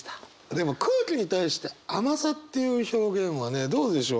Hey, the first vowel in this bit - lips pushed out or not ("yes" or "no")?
no